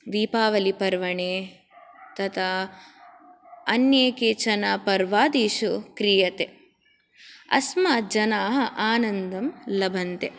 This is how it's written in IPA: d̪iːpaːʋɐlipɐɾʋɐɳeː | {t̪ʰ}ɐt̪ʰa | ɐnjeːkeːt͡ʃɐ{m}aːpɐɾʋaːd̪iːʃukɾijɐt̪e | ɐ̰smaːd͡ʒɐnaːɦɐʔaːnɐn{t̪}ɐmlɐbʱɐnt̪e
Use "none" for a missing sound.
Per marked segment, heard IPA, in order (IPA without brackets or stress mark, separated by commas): t̪, n, d̪